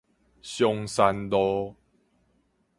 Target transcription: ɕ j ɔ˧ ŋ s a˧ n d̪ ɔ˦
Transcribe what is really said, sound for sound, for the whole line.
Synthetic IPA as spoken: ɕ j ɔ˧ ŋ s a˧ n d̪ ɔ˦